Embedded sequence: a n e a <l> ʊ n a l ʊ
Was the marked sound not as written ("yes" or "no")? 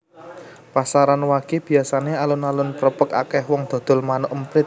no